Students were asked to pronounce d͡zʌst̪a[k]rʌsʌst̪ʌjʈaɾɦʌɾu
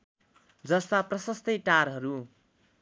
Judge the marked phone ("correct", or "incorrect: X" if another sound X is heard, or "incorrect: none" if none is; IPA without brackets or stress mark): incorrect: p